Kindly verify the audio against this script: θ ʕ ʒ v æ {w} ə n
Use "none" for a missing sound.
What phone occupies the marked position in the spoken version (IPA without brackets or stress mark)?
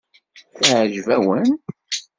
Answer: w